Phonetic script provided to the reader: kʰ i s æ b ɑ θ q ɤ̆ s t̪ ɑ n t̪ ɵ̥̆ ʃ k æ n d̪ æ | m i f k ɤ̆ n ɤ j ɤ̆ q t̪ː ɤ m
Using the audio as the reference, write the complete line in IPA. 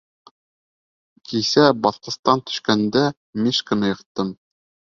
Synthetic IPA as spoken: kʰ i s æ b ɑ θ q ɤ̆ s t̪ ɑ n t̪ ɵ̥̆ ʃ k æ n d̪ æ | m i ʃ k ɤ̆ n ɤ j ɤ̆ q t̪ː ɤ m